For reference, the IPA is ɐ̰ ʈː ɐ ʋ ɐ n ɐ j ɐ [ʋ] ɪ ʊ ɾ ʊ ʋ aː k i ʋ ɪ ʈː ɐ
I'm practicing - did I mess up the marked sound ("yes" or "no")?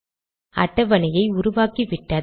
yes